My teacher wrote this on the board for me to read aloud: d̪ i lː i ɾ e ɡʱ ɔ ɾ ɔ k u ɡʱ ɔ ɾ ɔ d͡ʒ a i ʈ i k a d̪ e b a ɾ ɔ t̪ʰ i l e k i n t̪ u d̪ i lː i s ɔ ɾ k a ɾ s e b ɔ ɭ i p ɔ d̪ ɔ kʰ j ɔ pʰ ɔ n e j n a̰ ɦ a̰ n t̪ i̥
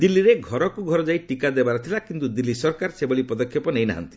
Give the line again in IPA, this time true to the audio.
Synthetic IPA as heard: d̪ i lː i ɾ e ɡʱ ɔ ɾ ɔ k u ɡʱ ɔ ɾ ɔ d͡ʒ a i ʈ i k a d̪ e b a ɾ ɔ t̪ʰ i l a k i n t̪ u d̪ i lː i s ɔ ɾ k a ɾ s e b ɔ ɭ i p ɔ d̪ ɔ kʰ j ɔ p ɔ n e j n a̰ ɦ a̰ n t̪ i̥

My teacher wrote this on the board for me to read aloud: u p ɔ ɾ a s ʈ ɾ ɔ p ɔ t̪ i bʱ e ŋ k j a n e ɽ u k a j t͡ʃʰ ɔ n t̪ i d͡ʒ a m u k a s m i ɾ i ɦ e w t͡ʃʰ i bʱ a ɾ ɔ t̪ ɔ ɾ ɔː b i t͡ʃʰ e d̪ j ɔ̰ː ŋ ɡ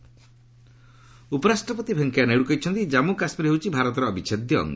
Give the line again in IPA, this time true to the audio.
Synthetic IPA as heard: u p ɔ ɾ a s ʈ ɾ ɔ p ɔ t̪ i bʱ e ŋ k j a n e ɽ u k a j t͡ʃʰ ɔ n t̪ i d͡ʒ a m u k a s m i ɾ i ɦ e w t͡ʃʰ i bʱ a ɾ ɔ t̪ ɔ ɾ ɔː b i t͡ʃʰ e d̪ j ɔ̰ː ŋ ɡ

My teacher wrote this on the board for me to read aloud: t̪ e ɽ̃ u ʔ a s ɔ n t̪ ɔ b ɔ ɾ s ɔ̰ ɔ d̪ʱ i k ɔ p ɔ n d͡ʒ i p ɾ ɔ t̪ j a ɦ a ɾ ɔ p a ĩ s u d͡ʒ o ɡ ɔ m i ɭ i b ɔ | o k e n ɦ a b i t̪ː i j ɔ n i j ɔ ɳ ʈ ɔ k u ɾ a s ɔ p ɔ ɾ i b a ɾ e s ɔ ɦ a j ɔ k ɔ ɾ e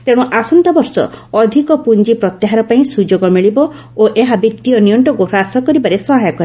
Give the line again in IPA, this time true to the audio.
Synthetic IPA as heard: t̪ e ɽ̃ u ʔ a s ɔ n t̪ ɔ b ɔ ɾ s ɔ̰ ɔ d̪ʱ i k ɔ p u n d͡ʒ i p ɾ ɔ t̪ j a ɦ a ɾ ɔ p a ĩ s u d͡ʒ o ɡ ɔ m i ɭ i b ɔ | o ʔ e ɦ a b i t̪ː i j ɔ n i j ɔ ɳ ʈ ɔ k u ɾ a s ɔ k ɔ ɾ i b a ɾ e s ɔ ɦ a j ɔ k ɔ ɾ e

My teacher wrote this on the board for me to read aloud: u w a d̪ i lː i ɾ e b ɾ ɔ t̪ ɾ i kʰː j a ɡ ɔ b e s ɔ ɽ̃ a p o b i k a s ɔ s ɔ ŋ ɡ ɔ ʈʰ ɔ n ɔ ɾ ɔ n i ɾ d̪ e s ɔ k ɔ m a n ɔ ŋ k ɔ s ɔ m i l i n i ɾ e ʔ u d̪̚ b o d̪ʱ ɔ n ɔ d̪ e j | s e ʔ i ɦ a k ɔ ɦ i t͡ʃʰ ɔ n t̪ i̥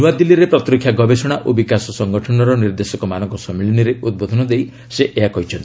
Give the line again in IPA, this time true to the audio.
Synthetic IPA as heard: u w a d̪ i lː i ɾ e p ɾ ɔ t̪ ɾ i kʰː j a ɡ ɔ b e s ɔ ɽ̃ a ʔ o b i k a s ɔ s ɔ ŋ ɡ ɔ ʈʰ ɔ n ɔ ɾ ɔ n i ɾ d̪ e s ɔ k ɔ m a n ɔ ŋ k ɔ s ɔ m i l i n i ɾ e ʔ u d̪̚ b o d̪ʱ ɔ n ɔ d̪ e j | s e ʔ e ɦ a k ɔ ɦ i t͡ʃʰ ɔ n t̪ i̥

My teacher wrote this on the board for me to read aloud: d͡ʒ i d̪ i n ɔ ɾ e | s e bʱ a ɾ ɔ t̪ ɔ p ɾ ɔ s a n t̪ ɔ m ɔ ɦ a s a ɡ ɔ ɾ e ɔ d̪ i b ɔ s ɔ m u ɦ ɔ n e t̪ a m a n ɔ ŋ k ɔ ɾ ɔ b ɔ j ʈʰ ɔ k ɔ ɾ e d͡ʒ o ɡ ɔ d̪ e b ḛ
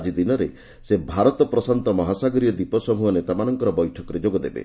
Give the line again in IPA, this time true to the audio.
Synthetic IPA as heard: d͡ʒ i d̪ i n ɔ ɾ e | s e bʱ a ɾ ɔ t̪ ɔ p ɾ ɔ s a n t̪ ɔ m ɔ ɦ a s a ɡ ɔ ɾ i ɔ d̪ i p ɔ s ɔ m u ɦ ɔ n e t̪ a m a n ɔ ŋ k ɔ ɾ ɔ b ɔ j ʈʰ ɔ k ɔ ɾ e d͡ʒ o ɡ ɔ d̪ e b ḛ

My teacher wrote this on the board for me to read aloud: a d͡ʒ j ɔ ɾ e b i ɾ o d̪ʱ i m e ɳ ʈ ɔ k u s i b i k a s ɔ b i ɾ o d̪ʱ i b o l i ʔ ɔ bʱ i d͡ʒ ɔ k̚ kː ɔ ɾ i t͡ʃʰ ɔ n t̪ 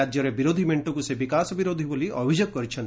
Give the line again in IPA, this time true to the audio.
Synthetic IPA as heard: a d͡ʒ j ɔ ɾ e b i ɾ o d̪ʱ i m e ɳ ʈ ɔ k u s e b i k a s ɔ b i ɾ o d̪ʱ i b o l i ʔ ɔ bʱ i d͡ʒ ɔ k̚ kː ɔ ɾ i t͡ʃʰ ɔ n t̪

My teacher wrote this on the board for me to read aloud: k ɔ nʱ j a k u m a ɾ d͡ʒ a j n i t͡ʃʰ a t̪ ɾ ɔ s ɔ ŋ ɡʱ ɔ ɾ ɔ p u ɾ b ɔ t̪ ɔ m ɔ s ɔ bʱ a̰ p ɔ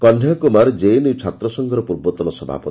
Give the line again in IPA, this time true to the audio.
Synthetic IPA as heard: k ɔ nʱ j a k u m a ɾ d͡ʒ e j n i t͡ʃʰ a t̪ ɾ ɔ s ɔ ŋ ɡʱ ɔ ɾ ɔ p u ɾ b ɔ t̪ ɔ n ɔ s ɔ bʱ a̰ p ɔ

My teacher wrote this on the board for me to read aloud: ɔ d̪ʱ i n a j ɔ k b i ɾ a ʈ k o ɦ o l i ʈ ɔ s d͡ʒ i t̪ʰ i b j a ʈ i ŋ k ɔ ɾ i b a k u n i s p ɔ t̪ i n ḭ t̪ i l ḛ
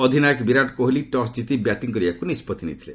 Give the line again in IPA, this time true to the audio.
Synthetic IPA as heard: ɔ d̪ʱ i n a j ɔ k b i ɾ a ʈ k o ɦ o l i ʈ ɔ s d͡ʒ i t̪ i b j a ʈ i ŋ k ɔ ɾ i b a k u n i s p ɔ t̪ i n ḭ t̪ʰ i l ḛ

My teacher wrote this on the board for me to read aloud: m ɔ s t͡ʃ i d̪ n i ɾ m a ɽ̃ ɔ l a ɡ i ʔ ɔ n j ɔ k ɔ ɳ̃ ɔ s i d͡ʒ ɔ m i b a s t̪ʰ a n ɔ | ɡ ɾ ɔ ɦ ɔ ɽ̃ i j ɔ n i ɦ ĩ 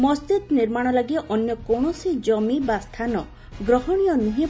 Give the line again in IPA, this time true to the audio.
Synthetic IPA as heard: m ɔ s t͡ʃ i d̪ n i ɾ m a ɽ̃ ɔ l a ɡ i ʔ ɔ n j ɔ k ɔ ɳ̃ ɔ s i d͡ʒ ɔ m i b a s t̪ʰ a n ɔ | ɡ ɾ ɔ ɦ ɔ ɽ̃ i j ɔ n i ɦ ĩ

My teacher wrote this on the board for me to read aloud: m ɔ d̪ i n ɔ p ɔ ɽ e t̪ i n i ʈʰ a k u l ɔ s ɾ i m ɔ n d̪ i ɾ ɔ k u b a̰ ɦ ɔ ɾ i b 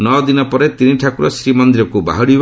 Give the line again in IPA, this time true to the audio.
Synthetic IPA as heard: n ɔ d̪ i n ɔ p ɔ ɾ e t̪ i n i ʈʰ a k u ɾ ɔ s ɾ i m ɔ n d̪ i ɾ ɔ k u b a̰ ɦ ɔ ɽ i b

